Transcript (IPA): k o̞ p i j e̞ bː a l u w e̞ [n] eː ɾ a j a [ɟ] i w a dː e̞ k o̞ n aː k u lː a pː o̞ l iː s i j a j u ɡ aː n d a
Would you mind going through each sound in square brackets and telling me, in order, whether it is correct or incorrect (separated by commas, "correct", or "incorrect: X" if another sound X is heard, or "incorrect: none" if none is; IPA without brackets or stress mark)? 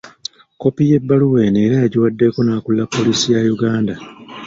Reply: correct, correct